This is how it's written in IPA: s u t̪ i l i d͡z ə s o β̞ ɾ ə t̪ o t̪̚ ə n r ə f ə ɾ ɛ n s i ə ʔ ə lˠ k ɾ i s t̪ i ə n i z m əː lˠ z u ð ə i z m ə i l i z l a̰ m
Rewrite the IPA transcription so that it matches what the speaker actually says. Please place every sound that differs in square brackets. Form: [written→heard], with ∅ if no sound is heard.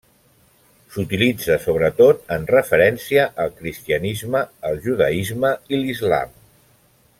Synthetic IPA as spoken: s u t̪ i l i d͡z ə s o β̞ ɾ ə t̪ o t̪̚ ə n r ə f ə ɾ ɛ n s i ə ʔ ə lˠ k ɾ i s t̪ i ə n i z m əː lˠ [z→ʒ] u ð ə i z m ə i l i z l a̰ m